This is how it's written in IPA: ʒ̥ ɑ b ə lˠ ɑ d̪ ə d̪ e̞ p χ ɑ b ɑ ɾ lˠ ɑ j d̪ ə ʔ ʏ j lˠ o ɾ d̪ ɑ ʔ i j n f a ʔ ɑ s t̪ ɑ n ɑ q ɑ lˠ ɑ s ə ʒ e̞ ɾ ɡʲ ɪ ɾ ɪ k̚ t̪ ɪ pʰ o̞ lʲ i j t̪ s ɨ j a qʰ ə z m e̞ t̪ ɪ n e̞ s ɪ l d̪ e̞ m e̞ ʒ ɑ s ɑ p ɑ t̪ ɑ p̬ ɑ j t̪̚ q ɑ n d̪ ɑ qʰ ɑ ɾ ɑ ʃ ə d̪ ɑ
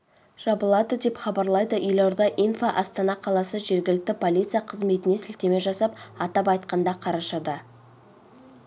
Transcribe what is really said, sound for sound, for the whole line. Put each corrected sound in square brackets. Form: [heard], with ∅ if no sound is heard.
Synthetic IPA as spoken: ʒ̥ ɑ b ə lˠ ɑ d̪ ə d̪ e̞ p χ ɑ b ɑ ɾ lˠ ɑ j d̪ ə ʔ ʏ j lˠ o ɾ d̪ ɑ ʔ i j n f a ʔ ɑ s t̪ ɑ n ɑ [qʰ] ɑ lˠ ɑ s ə ʒ e̞ ɾ ɡʲ ɪ [l] ɪ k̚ t̪ ɪ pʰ o̞ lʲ i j t̪ s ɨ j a qʰ ə z m e̞ t̪ ɪ n e̞ s ɪ l [t̪] e̞ m e̞ ʒ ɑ s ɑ p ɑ t̪ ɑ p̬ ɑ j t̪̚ q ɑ n d̪ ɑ qʰ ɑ ɾ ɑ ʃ [ɑ] d̪ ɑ